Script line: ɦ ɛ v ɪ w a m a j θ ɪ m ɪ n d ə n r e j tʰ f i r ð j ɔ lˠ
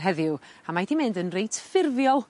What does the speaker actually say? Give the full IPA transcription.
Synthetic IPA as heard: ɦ ɛ ð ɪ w a m a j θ i m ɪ n d ə n r e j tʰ f ɪ r v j ɔ lˠ